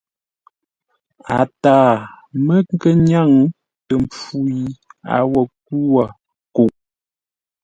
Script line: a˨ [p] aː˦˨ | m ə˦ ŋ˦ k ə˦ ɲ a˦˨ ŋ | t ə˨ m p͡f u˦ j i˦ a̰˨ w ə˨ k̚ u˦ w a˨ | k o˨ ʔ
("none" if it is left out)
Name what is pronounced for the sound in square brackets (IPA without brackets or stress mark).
t